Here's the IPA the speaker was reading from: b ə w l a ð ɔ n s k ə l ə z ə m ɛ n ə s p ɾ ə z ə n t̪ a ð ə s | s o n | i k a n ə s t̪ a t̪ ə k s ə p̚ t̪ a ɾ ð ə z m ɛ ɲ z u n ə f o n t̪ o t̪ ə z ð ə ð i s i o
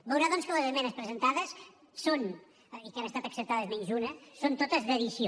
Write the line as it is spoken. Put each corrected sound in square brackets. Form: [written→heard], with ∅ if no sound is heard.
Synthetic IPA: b ə w [l→ɾ] a ð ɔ n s k ə l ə z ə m ɛ n ə s p ɾ ə z ə n t̪ a ð ə s | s o n | i k a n ə s t̪ a t̪ ə k s ə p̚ t̪ a [ɾ→∅] ð ə z m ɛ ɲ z u n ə [f→s] o n t̪ o t̪ ə z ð ə ð i s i o